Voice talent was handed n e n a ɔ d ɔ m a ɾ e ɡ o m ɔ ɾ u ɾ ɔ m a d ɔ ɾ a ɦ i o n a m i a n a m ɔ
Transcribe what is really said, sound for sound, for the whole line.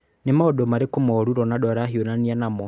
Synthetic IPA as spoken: n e m a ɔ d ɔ m a ɾ e k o m ɔ ɾ u ɾ ɔ n a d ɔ ɾ a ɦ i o n a n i a n a m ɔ